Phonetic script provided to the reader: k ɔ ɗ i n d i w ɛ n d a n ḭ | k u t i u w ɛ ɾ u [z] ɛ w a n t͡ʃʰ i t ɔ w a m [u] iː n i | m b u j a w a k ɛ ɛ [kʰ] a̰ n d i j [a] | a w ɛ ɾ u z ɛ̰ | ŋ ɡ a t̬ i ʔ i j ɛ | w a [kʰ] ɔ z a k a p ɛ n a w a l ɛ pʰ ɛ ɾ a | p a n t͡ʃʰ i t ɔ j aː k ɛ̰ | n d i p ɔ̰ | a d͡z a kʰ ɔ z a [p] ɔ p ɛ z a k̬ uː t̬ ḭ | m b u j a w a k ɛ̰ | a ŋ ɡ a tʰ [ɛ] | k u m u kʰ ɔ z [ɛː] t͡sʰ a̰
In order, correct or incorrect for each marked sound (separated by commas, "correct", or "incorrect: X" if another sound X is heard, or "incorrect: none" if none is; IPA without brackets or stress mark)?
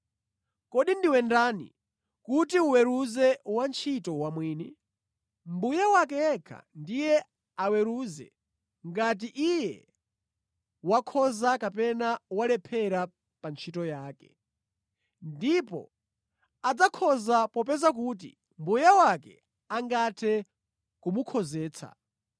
correct, incorrect: w, correct, incorrect: ɛ, correct, correct, correct, correct